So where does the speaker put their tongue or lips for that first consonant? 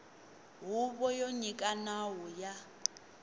throat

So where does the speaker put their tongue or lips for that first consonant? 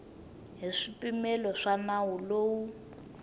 throat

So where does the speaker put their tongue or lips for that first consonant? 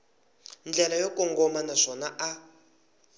tongue tip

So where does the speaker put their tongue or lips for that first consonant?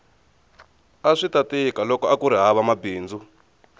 retroflex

